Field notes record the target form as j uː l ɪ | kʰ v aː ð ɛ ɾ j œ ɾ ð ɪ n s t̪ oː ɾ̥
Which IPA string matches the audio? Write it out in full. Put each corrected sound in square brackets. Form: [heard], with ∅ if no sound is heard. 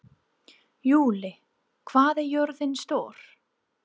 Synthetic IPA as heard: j uː l ɪ | kʰ v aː ð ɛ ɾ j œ ɾ ð ɪ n s t̪ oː ɾ̥